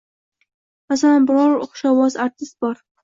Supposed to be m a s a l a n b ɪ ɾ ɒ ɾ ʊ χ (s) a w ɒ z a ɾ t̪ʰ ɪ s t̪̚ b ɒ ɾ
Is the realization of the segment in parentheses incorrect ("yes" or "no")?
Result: yes